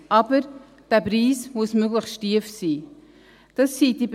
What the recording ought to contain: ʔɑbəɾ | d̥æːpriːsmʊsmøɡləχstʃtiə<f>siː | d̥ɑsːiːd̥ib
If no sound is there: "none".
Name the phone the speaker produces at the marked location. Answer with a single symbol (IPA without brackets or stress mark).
f